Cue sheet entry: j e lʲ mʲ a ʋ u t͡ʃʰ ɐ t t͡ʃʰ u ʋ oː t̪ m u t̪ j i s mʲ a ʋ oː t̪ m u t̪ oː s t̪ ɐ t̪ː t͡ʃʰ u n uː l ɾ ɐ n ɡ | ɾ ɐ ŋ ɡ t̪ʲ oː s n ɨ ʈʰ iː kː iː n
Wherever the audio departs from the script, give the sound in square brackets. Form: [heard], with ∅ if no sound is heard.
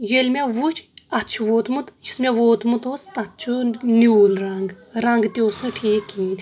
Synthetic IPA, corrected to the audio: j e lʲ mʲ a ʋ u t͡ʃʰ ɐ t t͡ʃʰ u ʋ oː t̪ m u t̪ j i s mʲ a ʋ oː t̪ m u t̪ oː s t̪ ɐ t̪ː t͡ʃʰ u n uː l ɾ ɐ [ŋ] ɡ | ɾ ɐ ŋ ɡ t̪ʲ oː s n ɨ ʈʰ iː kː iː n